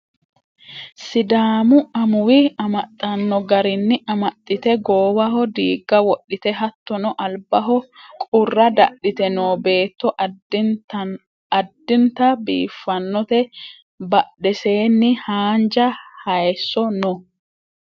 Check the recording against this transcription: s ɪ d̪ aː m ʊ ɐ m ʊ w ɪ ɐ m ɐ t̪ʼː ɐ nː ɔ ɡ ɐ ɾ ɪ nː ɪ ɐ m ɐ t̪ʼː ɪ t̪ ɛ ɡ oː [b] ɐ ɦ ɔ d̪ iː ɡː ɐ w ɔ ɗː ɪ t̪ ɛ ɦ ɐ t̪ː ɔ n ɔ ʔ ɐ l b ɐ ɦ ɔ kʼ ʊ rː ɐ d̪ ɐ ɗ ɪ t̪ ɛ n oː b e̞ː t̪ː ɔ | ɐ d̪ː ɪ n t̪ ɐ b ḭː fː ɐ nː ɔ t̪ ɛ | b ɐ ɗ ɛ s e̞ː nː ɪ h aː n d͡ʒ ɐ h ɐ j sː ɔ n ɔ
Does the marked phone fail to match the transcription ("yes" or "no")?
yes